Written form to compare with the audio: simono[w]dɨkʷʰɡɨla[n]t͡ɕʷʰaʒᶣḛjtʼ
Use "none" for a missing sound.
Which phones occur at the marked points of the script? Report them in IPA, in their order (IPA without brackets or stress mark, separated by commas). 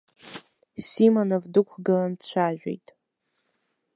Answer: v, n